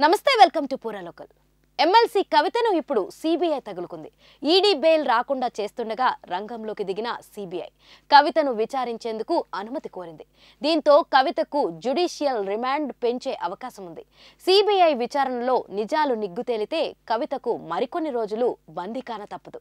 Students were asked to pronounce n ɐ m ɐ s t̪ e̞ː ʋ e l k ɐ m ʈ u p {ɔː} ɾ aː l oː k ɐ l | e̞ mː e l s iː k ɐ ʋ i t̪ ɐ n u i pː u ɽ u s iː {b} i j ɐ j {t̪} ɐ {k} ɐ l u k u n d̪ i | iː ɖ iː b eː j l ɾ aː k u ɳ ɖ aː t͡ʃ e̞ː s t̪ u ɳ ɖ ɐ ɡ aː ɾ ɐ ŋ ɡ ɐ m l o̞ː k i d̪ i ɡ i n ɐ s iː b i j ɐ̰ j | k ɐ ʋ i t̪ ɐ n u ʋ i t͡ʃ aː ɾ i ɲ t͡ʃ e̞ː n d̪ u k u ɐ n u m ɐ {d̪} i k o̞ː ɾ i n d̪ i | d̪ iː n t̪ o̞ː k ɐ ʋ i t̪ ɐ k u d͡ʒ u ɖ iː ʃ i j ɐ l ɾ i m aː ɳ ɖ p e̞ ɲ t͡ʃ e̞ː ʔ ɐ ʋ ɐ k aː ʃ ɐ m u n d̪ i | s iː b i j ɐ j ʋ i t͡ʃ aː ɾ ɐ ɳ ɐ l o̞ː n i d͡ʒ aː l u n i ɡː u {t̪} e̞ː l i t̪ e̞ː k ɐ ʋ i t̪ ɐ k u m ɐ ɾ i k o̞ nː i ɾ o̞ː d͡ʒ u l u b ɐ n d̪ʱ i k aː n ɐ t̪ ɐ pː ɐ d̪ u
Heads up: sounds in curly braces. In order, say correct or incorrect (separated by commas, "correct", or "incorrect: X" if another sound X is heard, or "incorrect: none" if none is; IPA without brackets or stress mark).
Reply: incorrect: uː, correct, correct, incorrect: ɡ, incorrect: t̪, correct